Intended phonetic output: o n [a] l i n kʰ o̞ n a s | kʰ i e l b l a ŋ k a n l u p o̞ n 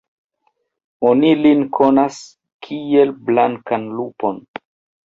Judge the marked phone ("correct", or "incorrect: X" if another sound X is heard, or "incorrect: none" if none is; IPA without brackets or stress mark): incorrect: i